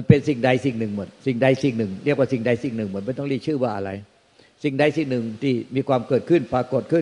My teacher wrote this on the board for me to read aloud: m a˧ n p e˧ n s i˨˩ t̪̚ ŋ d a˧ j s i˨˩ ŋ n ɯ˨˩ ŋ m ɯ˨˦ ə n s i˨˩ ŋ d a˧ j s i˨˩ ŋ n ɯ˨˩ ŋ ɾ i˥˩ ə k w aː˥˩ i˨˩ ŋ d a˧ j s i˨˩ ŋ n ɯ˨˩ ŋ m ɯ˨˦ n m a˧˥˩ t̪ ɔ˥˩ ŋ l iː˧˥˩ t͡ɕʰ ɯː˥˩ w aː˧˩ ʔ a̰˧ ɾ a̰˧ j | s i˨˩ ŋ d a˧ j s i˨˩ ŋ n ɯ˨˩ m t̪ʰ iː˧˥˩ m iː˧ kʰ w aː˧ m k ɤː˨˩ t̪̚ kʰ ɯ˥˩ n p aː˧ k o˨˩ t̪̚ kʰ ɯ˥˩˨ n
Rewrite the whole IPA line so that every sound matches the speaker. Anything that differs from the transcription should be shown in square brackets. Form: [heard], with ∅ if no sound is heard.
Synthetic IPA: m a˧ n p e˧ n s i˨˩ [∅] ŋ d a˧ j s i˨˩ ŋ n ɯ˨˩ ŋ m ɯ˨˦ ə n s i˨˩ ŋ d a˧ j s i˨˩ ŋ n ɯ˨˩ ŋ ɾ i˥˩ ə k w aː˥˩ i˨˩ ŋ d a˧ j s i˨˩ ŋ n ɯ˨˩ ŋ m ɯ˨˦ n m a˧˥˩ t̪ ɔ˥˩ ŋ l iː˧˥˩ t͡ɕʰ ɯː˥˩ w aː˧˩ ʔ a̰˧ ɾ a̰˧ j | s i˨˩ ŋ d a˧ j s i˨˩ ŋ n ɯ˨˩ [ŋ] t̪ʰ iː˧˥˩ m iː˧ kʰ w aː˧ m k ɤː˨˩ t̪̚ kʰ ɯ˥˩ n p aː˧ k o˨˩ t̪̚ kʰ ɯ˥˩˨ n